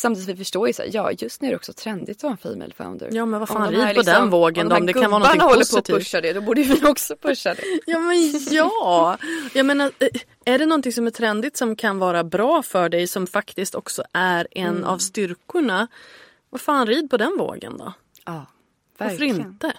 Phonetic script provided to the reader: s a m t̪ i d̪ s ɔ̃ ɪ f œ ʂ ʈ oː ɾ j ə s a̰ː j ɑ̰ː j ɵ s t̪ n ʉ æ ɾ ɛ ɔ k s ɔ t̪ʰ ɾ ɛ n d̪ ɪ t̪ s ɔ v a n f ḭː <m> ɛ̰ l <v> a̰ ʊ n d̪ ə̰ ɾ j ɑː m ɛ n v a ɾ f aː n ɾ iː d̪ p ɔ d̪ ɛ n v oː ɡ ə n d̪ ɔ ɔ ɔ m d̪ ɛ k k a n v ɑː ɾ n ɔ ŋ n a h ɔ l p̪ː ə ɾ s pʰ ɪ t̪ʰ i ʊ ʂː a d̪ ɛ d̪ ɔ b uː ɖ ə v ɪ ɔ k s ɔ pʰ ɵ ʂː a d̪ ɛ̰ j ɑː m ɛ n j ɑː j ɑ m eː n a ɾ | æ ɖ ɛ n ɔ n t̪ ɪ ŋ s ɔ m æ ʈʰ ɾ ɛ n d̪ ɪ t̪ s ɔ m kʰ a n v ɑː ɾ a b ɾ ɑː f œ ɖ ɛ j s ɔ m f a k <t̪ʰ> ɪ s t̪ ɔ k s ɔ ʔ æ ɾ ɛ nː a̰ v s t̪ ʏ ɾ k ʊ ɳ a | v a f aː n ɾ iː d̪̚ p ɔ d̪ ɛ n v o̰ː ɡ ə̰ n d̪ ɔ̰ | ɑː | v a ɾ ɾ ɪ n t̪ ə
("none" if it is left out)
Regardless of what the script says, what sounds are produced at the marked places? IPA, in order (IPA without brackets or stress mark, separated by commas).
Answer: m, f, t̪